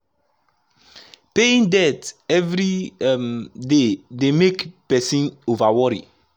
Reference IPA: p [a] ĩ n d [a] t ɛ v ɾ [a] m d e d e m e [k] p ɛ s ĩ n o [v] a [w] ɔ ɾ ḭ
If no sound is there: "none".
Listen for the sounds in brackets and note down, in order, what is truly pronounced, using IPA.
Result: e, ɛ, i, k, v, w

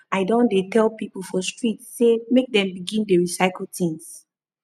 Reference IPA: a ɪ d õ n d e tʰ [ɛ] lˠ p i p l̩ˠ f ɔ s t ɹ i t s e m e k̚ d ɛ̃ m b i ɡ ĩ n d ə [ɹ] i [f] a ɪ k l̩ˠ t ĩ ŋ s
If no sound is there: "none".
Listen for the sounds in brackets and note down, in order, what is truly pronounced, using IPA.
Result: ɛ, ɹ, s

